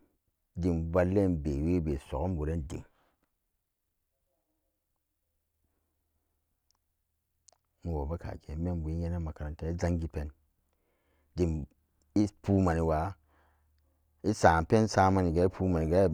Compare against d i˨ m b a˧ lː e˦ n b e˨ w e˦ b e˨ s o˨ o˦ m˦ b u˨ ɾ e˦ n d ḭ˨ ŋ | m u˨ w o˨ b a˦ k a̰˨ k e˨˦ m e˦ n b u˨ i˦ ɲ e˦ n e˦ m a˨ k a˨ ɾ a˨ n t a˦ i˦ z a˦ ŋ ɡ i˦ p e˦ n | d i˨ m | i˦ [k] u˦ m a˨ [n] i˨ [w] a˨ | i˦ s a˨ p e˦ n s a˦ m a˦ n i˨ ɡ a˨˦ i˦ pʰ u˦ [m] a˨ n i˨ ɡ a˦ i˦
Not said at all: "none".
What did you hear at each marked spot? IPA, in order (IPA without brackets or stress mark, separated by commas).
p, n, w, m